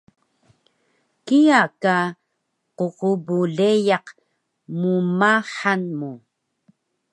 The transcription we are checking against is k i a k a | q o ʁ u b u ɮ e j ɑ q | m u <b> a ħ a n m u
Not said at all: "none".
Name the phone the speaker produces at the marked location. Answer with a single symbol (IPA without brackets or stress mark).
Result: m